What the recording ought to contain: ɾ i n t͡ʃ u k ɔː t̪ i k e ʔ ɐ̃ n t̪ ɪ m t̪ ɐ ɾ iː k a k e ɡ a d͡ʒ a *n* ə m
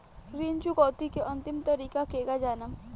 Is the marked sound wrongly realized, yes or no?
no